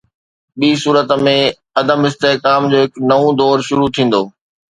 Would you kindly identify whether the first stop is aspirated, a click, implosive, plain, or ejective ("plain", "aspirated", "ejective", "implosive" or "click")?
implosive